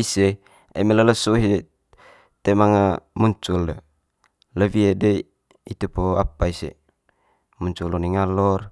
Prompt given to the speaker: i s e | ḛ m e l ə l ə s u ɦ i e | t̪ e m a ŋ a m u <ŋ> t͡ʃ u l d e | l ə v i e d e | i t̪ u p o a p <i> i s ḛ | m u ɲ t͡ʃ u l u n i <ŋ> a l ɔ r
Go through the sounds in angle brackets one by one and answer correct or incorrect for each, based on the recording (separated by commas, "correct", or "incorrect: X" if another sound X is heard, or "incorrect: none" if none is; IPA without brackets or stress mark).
incorrect: ɲ, incorrect: a, correct